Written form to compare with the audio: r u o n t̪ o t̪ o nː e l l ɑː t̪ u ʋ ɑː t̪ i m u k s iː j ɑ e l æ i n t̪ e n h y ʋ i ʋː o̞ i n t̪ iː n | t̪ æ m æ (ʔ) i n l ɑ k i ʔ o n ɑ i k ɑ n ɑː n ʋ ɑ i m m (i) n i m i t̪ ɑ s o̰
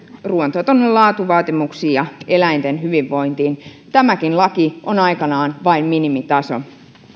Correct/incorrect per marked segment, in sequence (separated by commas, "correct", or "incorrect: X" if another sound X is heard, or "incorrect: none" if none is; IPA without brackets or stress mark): incorrect: k, correct